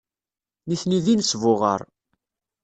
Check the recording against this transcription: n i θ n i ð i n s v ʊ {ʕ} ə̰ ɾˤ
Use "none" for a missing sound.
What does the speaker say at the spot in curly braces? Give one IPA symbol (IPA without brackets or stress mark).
ʁ